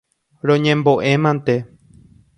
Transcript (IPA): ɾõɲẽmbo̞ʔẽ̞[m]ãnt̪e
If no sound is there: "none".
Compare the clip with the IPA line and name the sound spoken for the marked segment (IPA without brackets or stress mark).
m